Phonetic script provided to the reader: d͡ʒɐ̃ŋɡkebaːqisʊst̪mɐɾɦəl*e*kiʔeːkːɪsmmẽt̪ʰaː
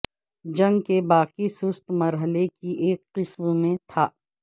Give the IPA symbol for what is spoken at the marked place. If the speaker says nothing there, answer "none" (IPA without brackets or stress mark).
e